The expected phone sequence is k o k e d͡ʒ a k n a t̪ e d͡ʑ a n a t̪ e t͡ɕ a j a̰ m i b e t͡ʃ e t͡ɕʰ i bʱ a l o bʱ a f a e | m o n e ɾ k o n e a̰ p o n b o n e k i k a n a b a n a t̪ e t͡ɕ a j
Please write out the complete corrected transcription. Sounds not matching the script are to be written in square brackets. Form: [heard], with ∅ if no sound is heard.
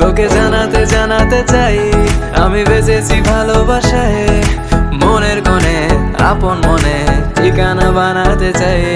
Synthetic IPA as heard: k o k e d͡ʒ a [∅] n a t̪ e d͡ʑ a n a t̪ e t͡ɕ a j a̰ m i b e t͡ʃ e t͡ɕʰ i bʱ a l o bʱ a [ʃ] a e | m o n e ɾ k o n e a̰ p o n [m] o n e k i k a n a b a n a t̪ e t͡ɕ a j